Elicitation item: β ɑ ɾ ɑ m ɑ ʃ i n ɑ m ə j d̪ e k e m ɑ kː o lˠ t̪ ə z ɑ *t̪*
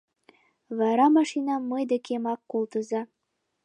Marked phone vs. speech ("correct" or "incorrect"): incorrect